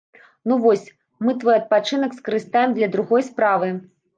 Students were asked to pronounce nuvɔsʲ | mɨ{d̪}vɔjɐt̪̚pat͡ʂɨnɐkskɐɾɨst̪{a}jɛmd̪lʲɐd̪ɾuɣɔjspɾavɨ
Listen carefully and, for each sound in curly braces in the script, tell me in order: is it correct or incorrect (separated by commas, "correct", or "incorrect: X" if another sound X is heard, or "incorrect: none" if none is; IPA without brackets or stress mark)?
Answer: incorrect: t̪, correct